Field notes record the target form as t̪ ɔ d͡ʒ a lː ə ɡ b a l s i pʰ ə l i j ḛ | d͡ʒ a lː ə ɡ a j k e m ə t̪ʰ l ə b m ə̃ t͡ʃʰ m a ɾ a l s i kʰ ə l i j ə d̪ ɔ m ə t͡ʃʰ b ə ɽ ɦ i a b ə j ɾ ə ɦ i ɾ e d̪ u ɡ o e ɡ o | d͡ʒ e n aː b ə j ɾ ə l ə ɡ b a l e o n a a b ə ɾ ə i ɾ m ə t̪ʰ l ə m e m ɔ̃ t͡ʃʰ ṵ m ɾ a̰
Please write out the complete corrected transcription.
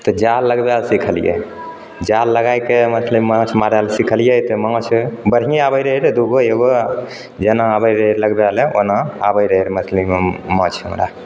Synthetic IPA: t̪ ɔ d͡ʒ a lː ə ɡ b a l s i kʰ ə l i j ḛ | d͡ʒ a lː ə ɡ a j k e m ə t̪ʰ l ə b m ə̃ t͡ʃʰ m a ɾ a l s i kʰ ə l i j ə t̪ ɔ m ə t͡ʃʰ b ə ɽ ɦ i a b ə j ɾ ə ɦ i ɾ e d̪ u ɡ o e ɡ o | d͡ʒ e n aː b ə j ɾ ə l ə ɡ b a l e o n a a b ə ɾ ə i ɾ m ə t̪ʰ l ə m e m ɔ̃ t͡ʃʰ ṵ m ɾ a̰

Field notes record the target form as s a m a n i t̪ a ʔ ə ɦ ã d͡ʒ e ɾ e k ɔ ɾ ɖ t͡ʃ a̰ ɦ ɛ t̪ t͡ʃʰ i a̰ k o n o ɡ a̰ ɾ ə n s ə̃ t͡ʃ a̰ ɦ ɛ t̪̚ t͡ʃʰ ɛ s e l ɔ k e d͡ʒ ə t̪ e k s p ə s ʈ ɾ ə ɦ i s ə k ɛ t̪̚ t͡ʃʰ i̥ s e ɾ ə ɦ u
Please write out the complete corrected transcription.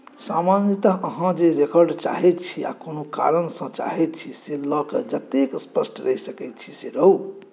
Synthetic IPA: s a m a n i t̪ a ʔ ə ɦ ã d͡ʒ e ɾ e k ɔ ɾ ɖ t͡ʃ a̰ ɦ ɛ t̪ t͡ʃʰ i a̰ k o n o k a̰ ɾ ə n s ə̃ t͡ʃ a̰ ɦ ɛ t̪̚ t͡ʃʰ i s e l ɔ k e d͡ʒ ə t̪ e k s p ə s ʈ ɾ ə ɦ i s ə k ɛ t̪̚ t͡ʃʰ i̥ s e ɾ ə ɦ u

